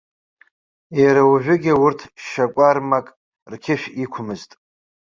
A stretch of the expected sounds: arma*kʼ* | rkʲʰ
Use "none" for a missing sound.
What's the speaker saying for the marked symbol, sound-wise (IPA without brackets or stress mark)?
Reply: kʼ